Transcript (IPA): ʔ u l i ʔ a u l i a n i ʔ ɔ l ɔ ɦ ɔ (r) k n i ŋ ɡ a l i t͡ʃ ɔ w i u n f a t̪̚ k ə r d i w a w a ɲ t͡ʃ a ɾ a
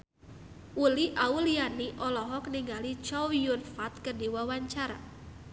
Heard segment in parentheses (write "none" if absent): none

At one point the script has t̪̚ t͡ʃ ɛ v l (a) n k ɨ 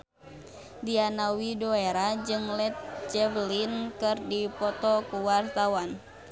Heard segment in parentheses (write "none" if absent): i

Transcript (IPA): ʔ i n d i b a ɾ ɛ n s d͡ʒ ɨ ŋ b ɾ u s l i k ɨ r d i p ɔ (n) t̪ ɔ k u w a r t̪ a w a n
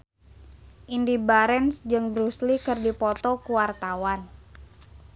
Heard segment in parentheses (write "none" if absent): none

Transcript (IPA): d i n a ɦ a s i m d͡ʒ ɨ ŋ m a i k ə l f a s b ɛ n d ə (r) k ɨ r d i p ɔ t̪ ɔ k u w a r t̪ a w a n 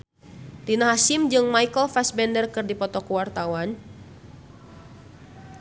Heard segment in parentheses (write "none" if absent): r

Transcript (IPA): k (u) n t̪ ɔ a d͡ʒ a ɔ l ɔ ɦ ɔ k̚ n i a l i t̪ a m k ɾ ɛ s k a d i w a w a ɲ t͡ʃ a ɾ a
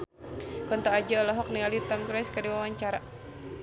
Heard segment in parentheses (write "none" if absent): ɔ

